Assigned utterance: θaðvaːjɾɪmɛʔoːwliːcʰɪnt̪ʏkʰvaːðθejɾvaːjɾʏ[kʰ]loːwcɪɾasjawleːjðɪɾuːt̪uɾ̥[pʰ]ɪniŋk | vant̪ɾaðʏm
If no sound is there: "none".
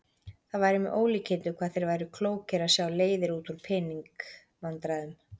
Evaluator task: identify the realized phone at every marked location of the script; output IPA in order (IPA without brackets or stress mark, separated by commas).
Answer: kʰ, pʰ